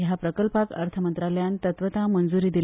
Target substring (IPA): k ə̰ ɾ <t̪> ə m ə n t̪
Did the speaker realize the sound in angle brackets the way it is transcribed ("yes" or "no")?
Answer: no